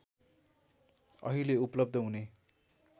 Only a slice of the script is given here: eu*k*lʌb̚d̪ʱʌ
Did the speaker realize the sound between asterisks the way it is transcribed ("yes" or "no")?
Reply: no